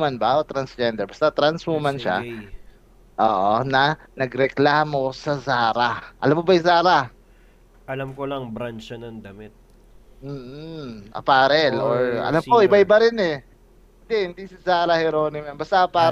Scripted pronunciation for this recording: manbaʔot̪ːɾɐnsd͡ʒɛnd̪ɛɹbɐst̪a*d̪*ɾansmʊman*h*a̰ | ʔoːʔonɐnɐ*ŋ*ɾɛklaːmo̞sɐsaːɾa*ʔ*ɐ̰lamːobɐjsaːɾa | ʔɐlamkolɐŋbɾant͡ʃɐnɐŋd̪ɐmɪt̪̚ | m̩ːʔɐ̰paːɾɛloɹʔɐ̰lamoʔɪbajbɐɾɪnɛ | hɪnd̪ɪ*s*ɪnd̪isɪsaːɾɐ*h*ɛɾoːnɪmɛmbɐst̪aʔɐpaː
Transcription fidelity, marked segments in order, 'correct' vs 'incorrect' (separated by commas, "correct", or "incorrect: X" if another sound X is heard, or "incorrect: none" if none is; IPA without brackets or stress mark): incorrect: t̪, incorrect: ʃ, incorrect: ɡ, correct, incorrect: h, correct